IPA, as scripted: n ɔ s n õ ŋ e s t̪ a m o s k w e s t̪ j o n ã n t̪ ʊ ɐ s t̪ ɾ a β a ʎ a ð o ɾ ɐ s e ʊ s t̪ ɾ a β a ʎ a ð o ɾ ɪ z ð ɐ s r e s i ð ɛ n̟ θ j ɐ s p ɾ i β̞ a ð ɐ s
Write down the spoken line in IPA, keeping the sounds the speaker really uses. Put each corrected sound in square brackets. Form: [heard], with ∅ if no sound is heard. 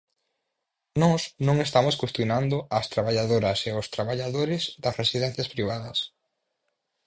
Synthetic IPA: n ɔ s n õ ŋ e s t̪ a m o s k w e s t̪ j o n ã n [d̪] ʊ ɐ s t̪ ɾ a β a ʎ a ð o ɾ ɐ s e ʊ s t̪ ɾ a β a ʎ a ð o ɾ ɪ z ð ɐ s r e s i ð ɛ n̟ θ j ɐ s p ɾ i β̞ a ð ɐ s